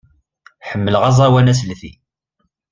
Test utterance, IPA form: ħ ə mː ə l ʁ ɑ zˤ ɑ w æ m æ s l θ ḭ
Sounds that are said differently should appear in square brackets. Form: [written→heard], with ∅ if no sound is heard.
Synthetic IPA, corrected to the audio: ħ ə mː ə l ʁ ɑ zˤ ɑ w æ [m→n] æ s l θ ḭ